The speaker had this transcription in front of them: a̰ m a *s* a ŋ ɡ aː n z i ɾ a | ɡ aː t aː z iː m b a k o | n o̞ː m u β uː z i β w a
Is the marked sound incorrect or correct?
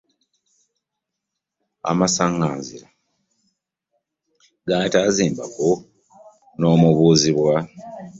correct